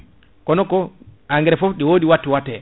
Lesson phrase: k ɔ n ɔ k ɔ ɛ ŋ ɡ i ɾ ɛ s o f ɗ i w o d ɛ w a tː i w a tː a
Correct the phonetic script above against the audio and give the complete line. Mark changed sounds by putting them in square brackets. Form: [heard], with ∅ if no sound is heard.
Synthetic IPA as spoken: k ɔ n ɔ k ɔ [a] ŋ ɡ [ɛ] ɾ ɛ [f] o f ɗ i w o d [i] w a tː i w a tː [ɛ]